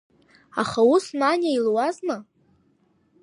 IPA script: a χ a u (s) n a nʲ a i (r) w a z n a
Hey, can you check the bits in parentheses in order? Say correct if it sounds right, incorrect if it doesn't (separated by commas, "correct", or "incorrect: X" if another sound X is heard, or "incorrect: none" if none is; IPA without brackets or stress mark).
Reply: correct, incorrect: l